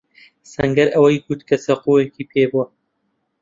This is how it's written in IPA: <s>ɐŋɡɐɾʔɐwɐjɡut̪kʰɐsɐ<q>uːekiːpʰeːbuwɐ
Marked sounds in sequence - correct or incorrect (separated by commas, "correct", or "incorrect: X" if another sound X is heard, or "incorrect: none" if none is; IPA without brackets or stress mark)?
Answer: correct, correct